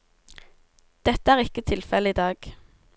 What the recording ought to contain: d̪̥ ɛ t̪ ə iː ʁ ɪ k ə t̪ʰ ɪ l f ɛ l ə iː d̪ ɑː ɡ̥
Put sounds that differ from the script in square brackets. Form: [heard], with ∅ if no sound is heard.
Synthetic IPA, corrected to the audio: d̪̥ ɛ t̪ ə [æː] ʁ ɪ k ə t̪ʰ ɪ l f ɛ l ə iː d̪ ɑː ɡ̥